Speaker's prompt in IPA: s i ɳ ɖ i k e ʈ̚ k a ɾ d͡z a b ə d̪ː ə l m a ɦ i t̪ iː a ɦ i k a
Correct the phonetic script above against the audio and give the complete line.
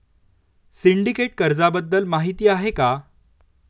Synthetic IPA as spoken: s i ɳ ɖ i k e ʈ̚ k ə ɾ d͡z a b ə d̪ː ə l m a ɦ i t̪ iː a ɦ e k a